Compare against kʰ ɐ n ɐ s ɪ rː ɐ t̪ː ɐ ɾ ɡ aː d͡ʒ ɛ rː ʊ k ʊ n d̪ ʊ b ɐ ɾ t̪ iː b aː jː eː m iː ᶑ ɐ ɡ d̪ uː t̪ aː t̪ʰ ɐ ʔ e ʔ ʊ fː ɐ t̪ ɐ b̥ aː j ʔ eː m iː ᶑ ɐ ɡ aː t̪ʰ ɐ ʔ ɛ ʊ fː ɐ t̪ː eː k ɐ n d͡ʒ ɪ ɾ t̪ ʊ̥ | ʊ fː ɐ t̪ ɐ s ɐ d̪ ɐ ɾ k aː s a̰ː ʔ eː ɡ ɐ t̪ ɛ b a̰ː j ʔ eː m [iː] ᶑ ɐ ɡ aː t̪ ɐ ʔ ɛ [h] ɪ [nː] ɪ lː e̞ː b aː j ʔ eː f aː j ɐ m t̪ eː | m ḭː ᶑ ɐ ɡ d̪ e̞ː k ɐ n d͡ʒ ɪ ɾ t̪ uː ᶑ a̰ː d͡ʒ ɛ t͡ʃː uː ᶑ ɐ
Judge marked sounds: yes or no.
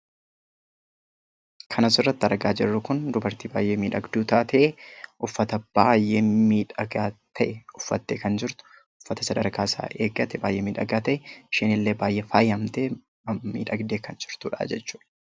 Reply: yes, no, no

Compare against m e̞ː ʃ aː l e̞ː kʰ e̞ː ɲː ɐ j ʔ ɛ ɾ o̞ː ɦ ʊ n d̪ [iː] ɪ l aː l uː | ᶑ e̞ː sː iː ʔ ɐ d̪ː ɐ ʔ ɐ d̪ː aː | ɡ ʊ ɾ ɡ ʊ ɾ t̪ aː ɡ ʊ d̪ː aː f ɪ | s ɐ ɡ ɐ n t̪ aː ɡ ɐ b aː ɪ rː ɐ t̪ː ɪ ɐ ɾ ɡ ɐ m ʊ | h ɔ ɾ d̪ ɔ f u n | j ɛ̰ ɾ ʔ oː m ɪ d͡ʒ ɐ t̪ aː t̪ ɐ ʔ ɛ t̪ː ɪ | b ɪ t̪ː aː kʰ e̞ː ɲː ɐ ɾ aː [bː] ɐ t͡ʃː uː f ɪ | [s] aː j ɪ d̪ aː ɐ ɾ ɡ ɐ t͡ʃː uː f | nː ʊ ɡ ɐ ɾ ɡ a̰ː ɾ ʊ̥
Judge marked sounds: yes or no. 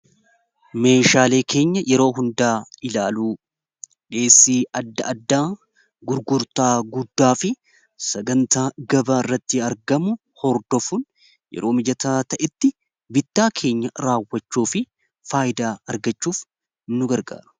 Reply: no, no, no

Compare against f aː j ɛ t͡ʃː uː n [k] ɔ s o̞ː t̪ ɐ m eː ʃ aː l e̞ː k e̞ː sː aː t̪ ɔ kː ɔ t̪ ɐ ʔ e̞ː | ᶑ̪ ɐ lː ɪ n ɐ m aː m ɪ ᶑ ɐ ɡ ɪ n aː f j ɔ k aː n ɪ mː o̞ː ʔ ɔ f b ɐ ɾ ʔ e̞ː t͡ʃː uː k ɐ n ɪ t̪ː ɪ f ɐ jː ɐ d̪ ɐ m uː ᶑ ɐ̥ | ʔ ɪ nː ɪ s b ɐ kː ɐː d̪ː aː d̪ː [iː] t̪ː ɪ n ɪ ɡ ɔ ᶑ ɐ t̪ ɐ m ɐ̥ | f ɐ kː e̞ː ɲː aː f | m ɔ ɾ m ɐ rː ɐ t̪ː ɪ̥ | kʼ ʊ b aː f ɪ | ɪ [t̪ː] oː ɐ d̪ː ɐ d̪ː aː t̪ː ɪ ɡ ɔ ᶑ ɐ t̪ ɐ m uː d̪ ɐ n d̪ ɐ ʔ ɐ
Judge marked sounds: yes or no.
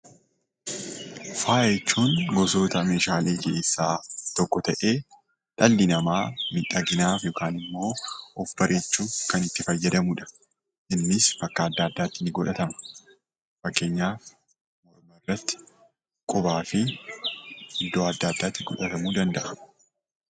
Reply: no, no, no

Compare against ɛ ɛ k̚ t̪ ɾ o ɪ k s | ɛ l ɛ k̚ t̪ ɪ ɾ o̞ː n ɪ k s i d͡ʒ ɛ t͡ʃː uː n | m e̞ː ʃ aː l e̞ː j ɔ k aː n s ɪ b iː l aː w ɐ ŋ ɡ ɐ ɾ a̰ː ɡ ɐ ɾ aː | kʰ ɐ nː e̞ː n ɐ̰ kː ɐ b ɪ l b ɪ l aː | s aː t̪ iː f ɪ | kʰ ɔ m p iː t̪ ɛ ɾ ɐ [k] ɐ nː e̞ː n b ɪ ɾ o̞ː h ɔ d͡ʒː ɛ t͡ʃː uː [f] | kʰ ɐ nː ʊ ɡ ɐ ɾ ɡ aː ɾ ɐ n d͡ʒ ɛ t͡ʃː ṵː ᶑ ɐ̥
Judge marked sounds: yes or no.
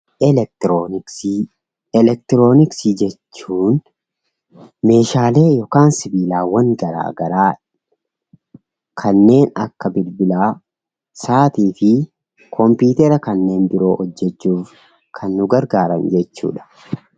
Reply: yes, yes

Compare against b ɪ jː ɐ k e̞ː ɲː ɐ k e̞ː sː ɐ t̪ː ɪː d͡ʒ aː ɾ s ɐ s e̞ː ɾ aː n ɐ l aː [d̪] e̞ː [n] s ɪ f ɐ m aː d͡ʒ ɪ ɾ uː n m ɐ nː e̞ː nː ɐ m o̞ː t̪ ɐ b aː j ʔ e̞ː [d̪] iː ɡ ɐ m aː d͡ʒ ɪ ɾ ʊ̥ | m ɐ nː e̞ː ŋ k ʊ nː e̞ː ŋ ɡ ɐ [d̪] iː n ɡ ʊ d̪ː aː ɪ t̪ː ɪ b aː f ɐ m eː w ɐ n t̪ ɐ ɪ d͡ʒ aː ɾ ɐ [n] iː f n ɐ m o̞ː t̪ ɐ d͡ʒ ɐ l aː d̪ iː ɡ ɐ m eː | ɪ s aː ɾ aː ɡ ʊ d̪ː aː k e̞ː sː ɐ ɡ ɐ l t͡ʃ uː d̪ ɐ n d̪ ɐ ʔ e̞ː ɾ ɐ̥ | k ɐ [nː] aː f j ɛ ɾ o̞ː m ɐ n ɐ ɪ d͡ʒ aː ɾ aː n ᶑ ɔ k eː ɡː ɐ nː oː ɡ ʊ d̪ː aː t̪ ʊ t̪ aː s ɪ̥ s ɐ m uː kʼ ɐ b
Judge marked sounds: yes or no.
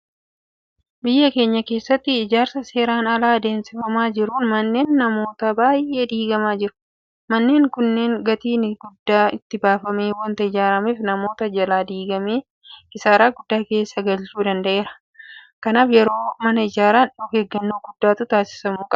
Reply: yes, yes, yes, no, no, no

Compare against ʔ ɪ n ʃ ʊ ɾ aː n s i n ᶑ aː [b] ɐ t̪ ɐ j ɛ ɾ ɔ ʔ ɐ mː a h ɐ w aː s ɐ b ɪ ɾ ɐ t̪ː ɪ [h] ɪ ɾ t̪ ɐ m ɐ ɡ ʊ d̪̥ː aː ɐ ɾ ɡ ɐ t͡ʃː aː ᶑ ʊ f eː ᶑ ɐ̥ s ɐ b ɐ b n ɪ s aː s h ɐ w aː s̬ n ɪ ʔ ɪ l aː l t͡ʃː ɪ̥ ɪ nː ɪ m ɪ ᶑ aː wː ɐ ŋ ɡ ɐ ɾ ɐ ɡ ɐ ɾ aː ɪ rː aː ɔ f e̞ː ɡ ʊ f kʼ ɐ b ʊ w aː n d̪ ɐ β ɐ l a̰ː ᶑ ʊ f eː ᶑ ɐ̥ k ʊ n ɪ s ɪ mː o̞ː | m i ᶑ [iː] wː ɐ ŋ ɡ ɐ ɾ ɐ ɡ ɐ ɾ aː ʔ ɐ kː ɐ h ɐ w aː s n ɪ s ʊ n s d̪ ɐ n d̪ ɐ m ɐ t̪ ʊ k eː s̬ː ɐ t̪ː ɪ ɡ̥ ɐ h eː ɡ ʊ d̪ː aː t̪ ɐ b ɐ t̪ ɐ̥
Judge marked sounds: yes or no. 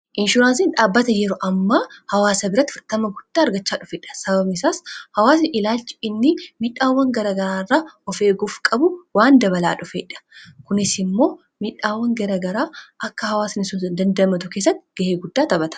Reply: no, no, no

